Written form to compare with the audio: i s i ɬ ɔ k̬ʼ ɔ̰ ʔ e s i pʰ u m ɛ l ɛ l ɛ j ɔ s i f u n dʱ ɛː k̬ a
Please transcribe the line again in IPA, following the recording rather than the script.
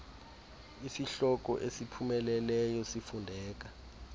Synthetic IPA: i s i ɬ ɔ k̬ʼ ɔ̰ ʔ e s i pʰ u m ɛ l ɛ l ɛ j ɔ s i f u n dʱ ɛː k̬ a